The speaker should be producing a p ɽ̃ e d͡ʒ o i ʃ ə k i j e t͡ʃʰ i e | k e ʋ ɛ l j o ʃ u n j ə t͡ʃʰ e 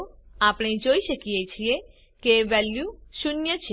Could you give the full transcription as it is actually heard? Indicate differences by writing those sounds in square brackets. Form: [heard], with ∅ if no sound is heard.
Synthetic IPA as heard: a p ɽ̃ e d͡ʒ o i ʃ ə k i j e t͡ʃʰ i e | k e ʋ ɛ l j [u] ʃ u n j ə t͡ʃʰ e